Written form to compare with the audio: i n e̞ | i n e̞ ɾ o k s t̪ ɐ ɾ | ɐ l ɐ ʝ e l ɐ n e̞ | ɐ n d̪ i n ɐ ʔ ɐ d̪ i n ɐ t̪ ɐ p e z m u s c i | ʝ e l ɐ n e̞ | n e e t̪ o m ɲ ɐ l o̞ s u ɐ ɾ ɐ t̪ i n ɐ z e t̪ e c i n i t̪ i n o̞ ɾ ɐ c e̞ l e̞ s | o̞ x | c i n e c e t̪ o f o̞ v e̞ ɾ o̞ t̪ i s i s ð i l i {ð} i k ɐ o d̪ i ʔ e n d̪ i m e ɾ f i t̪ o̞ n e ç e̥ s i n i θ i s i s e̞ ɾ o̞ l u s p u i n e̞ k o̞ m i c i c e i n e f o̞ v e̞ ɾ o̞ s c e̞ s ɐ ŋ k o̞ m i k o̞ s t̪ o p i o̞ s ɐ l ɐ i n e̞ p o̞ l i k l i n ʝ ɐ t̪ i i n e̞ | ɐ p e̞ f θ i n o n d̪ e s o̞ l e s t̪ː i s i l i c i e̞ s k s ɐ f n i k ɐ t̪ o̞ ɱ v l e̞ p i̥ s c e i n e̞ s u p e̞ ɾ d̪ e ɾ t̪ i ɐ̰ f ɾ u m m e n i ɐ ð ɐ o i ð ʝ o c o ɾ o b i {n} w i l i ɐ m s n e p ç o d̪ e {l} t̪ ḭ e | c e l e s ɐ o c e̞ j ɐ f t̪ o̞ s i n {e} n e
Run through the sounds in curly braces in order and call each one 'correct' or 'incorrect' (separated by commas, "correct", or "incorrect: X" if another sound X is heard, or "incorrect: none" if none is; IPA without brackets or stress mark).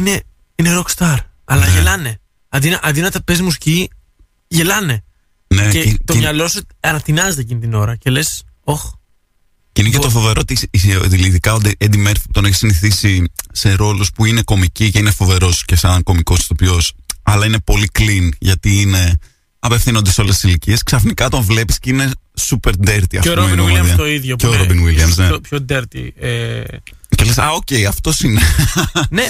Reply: correct, correct, incorrect: ɾ, correct